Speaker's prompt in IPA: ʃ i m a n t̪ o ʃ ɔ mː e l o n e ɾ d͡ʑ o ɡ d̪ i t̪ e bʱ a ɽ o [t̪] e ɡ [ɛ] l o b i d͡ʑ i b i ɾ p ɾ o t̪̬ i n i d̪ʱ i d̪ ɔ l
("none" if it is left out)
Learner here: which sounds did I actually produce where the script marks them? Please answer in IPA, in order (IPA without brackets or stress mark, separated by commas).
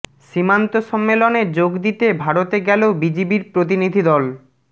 t̪, ɛ